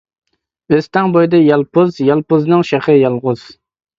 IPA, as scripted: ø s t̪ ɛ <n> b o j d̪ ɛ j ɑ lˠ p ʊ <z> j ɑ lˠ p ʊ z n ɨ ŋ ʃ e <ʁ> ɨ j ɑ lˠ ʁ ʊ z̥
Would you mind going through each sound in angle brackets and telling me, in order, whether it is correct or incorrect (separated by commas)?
incorrect, correct, incorrect